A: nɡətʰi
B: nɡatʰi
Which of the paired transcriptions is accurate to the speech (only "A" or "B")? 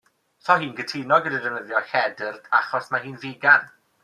A